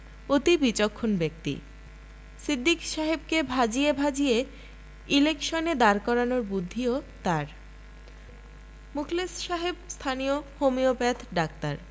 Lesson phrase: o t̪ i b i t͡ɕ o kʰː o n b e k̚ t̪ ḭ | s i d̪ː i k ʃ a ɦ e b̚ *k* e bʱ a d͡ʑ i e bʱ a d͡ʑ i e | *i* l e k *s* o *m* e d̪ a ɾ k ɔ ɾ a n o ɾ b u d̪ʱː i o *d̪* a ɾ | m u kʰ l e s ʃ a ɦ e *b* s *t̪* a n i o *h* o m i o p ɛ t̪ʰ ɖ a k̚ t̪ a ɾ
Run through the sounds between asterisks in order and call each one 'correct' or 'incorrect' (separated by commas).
correct, correct, incorrect, incorrect, incorrect, correct, incorrect, correct